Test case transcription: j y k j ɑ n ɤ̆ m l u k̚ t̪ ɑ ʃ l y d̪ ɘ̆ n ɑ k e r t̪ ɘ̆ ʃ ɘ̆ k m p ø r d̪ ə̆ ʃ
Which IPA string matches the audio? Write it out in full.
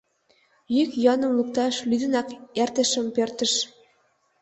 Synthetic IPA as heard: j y k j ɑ n ɤ̆ m l u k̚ t̪ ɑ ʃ l y d̪ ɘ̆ n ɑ k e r t̪ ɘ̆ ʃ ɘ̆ m p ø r t̪ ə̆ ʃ

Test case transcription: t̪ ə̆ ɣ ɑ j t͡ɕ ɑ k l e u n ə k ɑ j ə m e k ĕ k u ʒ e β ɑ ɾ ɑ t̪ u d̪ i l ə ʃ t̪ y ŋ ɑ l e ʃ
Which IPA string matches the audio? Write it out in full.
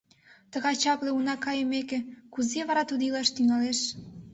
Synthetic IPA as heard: t̪ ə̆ ɣ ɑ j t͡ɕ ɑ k l e u n ɑ k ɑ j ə m e k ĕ k u z e β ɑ ɾ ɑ t̪ u d̪ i l ɑ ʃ t̪ y ŋ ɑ l e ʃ

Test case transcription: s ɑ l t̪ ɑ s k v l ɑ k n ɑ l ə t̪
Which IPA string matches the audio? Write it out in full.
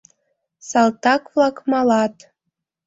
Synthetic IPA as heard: s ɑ l t̪ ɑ k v l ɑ k m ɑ l ɑ t̪

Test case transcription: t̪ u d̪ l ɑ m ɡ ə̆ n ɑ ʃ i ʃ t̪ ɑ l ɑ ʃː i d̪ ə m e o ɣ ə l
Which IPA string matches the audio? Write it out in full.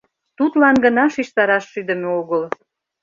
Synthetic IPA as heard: t̪ u t̪ l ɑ n ɡ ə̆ n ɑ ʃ i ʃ t̪ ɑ ɾ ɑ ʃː y d̪ ə m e o ɣ ə l

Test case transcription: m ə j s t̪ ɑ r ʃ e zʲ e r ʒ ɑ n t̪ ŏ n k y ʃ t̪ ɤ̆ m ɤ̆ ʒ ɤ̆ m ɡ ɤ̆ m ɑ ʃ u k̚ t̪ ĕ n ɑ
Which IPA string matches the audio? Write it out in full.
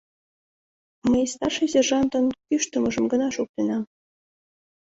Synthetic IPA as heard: m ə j s t̪ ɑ r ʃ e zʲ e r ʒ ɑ n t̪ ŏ n k y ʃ t̪ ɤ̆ m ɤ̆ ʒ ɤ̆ m ɡ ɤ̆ n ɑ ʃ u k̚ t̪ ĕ n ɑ

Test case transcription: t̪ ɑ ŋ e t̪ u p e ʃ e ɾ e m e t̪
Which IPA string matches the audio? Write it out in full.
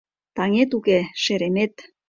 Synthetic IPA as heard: t̪ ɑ ŋ e t̪ u k e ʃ e ɾ e m e t̪

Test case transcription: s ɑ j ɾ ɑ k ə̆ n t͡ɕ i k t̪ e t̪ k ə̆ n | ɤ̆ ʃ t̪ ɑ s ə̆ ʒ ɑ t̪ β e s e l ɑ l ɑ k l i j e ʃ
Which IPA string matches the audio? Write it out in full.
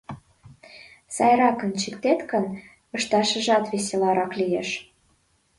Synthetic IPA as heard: s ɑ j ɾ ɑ k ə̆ n t͡ɕ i k t̪ e t̪ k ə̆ n | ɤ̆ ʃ t̪ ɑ ʃ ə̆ ʒ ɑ t̪ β e s e l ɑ ɾ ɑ k l i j e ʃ

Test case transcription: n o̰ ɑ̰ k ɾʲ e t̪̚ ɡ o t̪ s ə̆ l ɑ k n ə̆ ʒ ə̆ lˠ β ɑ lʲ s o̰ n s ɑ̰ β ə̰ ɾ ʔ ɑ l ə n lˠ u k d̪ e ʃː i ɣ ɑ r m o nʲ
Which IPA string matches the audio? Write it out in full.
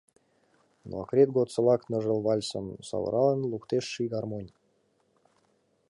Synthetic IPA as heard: n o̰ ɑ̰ k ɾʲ e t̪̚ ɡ o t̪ s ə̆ l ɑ k n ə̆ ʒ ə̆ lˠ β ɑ lʲ s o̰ n s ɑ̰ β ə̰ ɾ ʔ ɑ l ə n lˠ u k t̪ e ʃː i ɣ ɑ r m o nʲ

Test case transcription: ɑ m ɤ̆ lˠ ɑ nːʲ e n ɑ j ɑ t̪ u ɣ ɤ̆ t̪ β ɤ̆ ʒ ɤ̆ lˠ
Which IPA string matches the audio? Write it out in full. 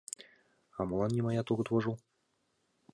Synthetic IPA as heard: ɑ m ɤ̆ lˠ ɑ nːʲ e m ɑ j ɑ t̪ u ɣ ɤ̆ t̪ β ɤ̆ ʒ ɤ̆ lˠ

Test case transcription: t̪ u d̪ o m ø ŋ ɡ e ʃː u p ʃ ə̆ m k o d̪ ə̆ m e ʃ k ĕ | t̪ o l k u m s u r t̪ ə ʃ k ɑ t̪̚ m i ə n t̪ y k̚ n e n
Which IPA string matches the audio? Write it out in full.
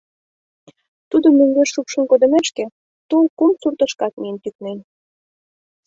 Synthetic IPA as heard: t̪ u d̪ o m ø ŋ ɡ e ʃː u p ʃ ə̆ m k o d̪ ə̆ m e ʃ k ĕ | t̪ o l k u m s u r t̪ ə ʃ k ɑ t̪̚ m i ə n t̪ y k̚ n e n

